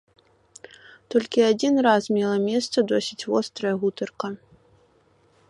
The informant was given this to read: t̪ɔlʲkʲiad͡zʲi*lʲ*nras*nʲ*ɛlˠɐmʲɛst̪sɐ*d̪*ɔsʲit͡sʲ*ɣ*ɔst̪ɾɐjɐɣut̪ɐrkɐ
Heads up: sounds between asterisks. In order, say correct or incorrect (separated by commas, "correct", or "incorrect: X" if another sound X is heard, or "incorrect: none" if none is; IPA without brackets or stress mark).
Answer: incorrect: none, incorrect: mʲ, correct, incorrect: v